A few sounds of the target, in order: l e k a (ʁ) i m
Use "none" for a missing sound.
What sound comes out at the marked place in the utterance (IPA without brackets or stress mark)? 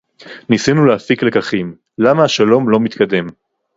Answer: χ